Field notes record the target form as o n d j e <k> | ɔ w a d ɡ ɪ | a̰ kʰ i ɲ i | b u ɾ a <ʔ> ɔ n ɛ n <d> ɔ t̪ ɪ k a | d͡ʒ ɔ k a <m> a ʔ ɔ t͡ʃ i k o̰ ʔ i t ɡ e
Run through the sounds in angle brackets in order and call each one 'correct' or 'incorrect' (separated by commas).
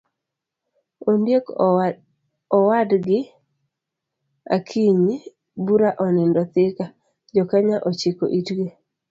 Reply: correct, correct, correct, incorrect